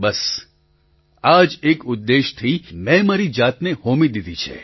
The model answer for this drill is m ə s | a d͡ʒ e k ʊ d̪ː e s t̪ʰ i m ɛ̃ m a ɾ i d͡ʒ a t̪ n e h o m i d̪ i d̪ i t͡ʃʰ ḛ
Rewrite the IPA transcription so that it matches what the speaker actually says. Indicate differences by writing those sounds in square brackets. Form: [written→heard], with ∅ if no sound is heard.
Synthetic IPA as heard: [m→b] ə s | a d͡ʒ e k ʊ d̪ː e [s→ʃ] t̪ʰ i m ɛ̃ m a ɾ i d͡ʒ a t̪ n e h o m i d̪ i d̪ i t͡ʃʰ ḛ